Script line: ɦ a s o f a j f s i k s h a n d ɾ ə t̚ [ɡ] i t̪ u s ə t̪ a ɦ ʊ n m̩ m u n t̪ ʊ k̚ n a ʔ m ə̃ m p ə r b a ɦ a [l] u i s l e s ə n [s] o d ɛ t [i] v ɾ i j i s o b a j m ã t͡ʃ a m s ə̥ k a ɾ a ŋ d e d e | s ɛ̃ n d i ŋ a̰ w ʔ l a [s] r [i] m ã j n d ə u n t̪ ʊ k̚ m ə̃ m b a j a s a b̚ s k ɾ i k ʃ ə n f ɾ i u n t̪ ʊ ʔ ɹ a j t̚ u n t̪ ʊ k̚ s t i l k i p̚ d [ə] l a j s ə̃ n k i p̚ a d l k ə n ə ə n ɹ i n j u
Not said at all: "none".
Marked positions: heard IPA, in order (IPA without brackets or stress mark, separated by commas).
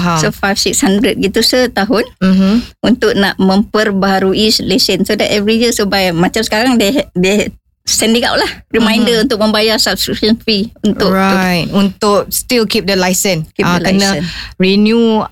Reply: ɡ, ɾ, s, ɛ, h, i, ə